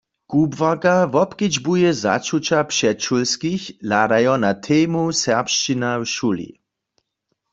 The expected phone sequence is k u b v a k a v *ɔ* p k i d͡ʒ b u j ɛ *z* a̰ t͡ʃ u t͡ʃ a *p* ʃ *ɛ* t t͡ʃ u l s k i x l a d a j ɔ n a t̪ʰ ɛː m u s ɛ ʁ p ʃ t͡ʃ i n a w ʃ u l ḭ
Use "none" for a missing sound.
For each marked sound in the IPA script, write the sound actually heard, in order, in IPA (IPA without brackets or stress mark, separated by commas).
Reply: ɔ, z, p, ɛ